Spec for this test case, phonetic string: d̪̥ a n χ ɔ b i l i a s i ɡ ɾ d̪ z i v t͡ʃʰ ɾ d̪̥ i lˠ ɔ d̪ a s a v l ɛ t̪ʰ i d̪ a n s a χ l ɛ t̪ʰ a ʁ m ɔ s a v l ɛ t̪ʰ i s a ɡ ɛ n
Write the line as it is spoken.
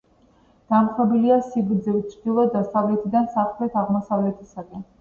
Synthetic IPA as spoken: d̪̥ a m χ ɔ b i l i a s i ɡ ɾ d̪ z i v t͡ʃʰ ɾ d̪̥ i lˠ ɔ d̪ a s a v l ɛ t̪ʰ i d̪ a n s a χ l ɛ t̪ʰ a ʁ m ɔ s a v l ɛ t̪ʰ i s a ɡ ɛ n